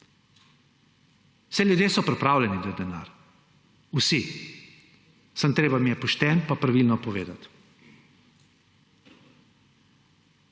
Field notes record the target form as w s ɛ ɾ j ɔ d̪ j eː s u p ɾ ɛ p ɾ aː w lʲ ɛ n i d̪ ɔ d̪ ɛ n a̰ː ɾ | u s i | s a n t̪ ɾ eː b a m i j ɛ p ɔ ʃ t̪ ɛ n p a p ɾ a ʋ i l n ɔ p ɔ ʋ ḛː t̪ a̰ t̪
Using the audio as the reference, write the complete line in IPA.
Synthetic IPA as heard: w s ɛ l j u d̪ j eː s ɔ p ɾ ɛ p ɾ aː w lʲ ɛ n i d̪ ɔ d̪ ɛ n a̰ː ɾ | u s i | s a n t̪ ɾ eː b a m i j ɛ p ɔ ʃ t̪ ɛ n p a p ɾ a ʋ i l n ɔ p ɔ ʋ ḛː d̪ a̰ t̪